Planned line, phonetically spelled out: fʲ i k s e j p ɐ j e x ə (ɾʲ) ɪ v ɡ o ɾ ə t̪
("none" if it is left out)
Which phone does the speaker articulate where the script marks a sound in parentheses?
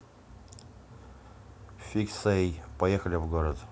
lʲ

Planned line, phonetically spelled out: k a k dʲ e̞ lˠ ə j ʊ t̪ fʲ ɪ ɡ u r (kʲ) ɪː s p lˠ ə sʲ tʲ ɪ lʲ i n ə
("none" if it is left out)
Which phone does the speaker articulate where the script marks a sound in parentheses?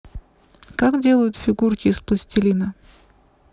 kʲ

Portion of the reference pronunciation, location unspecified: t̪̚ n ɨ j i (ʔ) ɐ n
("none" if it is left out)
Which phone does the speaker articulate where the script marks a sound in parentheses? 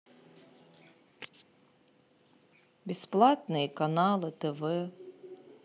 k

